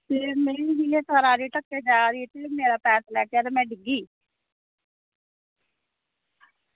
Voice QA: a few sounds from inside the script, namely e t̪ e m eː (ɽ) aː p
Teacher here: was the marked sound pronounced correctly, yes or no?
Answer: no